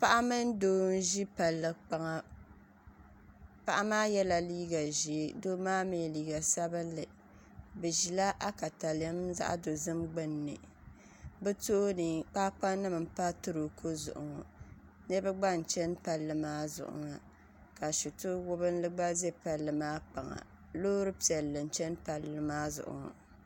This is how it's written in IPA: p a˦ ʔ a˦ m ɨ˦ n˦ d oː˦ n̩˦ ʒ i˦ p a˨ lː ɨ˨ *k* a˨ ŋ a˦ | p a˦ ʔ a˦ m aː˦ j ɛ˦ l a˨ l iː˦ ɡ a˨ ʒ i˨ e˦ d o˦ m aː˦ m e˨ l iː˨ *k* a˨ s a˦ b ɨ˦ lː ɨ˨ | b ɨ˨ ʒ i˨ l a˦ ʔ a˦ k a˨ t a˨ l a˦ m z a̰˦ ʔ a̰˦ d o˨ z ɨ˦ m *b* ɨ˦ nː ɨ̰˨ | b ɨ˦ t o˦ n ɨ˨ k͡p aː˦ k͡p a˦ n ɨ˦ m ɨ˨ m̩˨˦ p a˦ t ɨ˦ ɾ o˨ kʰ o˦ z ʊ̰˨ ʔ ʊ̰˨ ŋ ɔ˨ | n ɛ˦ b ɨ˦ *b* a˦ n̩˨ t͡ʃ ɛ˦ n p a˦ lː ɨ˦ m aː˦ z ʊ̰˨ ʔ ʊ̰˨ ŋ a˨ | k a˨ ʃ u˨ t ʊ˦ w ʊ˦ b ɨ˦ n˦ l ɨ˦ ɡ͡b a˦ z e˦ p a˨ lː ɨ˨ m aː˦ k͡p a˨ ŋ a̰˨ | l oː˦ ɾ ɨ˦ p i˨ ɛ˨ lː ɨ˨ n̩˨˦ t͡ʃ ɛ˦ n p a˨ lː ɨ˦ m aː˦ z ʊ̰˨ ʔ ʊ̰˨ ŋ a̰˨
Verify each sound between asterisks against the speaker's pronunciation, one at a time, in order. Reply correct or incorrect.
incorrect, incorrect, incorrect, incorrect

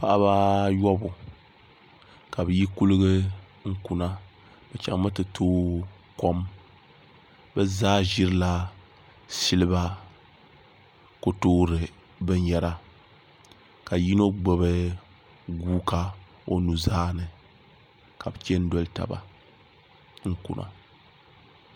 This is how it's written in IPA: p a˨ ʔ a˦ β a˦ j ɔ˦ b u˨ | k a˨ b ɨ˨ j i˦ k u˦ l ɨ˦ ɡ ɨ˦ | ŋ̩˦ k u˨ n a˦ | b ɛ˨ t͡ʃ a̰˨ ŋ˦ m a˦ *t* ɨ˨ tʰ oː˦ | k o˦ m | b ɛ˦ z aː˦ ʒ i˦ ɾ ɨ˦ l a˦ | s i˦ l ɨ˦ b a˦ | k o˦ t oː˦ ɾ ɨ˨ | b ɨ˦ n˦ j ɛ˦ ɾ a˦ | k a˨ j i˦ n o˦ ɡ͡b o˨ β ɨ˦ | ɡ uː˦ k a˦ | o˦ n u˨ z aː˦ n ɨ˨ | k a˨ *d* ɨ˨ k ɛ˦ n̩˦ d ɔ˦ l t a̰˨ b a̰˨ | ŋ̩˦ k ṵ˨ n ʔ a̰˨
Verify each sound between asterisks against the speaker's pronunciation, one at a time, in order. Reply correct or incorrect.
correct, incorrect

